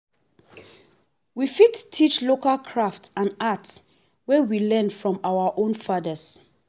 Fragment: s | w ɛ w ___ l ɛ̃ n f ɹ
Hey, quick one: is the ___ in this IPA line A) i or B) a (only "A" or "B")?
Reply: A